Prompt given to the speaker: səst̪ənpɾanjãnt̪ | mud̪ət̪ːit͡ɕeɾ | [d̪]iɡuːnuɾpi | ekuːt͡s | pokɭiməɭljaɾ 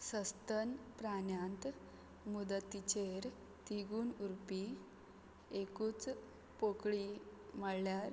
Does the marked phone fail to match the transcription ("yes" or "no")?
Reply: yes